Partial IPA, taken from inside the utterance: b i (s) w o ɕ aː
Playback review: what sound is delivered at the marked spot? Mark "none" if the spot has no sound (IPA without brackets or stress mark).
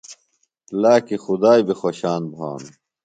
x